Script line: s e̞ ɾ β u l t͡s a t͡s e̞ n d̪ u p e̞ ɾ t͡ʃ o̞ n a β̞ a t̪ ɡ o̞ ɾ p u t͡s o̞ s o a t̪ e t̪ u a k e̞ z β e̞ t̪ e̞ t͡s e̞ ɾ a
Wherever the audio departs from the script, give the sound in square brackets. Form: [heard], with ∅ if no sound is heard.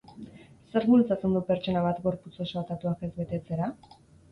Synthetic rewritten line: s e̞ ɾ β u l t͡s a t͡s e̞ n d̪ u p e̞ ɾ t͡ʃ o̞ n a β̞ a t̪ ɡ o̞ ɾ p u t͡s o̞ s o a t̪ [a] t̪ u a k e̞ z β e̞ t̪ e̞ t͡s e̞ ɾ a

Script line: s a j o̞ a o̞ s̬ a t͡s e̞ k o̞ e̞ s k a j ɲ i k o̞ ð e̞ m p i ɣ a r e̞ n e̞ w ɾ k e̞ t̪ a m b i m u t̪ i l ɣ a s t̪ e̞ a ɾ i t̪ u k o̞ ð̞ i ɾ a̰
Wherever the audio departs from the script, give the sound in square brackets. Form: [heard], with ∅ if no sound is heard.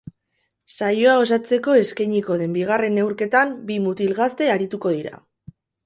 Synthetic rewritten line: s a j o̞ a o̞ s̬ a t͡s e̞ k o̞ e̞ s k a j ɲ i k o̞ ð e̞ m [b] i ɣ a r e̞ n e̞ w ɾ k e̞ t̪ a m b i m u t̪ i l ɣ a s t̪ e̞ a ɾ i t̪ u k o̞ ð̞ i ɾ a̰

